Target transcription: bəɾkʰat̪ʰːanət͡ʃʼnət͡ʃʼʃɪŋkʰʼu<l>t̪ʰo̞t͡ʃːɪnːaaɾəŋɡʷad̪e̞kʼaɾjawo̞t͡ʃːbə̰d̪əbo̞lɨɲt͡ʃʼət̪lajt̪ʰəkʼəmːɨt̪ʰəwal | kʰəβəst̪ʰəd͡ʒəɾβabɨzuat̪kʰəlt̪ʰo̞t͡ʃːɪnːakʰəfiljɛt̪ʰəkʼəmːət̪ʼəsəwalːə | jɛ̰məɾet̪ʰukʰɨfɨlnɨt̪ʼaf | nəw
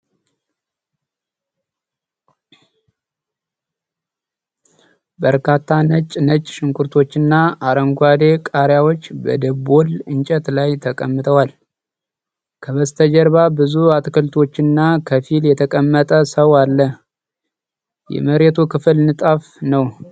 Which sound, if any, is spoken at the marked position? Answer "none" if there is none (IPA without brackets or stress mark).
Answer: ɾ